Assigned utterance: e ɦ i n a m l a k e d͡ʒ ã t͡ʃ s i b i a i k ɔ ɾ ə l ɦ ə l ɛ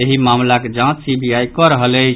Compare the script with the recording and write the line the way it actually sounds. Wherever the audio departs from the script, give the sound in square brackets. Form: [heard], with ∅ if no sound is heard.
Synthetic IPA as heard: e ɦ i [m] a m l a k e d͡ʒ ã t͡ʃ s i b i a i k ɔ ɾ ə [∅] ɦ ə l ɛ